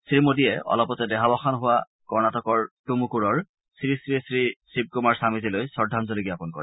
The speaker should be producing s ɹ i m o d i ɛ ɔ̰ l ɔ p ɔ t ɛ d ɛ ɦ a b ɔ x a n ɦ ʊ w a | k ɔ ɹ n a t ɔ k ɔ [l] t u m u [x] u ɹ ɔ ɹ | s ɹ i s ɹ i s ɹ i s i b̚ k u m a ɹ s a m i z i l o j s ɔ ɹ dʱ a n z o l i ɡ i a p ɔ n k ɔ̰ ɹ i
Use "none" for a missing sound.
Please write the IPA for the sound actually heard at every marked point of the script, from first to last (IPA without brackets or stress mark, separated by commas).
ɹ, k